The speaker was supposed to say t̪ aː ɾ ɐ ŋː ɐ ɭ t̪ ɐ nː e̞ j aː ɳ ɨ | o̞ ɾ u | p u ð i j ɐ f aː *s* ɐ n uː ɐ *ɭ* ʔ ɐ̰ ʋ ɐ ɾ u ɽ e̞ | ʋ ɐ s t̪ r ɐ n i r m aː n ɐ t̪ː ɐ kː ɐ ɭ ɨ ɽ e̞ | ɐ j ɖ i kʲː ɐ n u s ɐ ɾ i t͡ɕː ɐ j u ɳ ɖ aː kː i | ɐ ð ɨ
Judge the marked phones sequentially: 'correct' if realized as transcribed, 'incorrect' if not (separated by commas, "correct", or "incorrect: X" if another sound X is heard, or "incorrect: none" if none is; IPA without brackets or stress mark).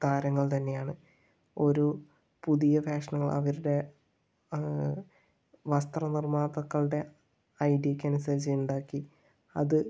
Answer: incorrect: ʂ, correct